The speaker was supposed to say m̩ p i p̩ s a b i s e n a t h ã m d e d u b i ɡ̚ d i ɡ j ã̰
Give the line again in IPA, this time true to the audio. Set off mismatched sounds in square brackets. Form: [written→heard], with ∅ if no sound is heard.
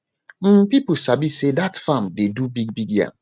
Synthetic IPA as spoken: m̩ p i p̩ s a b i s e [n→d] a t [h→f] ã m d e d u b i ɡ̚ [d→b] i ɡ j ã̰

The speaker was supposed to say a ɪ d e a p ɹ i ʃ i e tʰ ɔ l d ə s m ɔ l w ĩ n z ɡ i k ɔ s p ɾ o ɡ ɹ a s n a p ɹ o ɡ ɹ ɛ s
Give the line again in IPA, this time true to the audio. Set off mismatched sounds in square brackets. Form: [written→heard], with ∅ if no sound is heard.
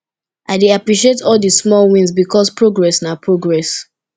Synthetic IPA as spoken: a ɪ d e a p ɹ i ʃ i e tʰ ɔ l d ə s m ɔ l w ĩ n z [ɡ→b] i k ɔ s p [ɾ→ɹ] o ɡ ɹ [a→ɛ] s n a p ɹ o ɡ ɹ ɛ s

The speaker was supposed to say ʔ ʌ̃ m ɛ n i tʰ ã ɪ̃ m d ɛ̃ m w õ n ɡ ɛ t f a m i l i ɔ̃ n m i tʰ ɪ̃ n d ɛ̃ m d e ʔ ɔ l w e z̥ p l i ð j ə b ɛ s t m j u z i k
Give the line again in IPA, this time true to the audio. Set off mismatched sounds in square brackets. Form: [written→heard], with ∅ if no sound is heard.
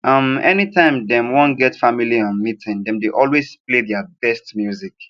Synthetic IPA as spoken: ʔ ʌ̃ m ɛ n i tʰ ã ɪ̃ m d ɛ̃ m w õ n ɡ ɛ t f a m i l i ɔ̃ n m i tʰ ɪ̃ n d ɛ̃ m d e ʔ ɔ l w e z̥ p l [i→e] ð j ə b ɛ s t m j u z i k

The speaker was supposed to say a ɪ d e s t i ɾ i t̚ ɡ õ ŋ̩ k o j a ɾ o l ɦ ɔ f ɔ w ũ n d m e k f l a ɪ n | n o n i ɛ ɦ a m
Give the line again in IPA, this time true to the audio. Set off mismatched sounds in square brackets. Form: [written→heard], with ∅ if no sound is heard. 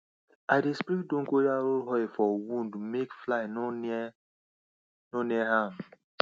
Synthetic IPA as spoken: a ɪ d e s [t→p] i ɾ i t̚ [ɡ→d] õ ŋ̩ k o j a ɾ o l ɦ ɔ f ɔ w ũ n d m e k f l a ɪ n | n o n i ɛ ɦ a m

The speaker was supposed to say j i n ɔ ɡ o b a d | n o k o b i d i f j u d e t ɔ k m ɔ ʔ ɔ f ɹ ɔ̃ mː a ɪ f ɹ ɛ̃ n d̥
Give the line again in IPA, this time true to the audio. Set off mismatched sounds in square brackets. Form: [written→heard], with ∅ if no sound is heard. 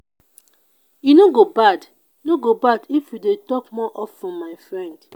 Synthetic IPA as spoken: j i n [ɔ→o] ɡ o b a d | n o [k→ɡ] o b [i→a] d i f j u d e t ɔ k m ɔ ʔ ɔ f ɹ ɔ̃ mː a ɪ f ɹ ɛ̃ n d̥

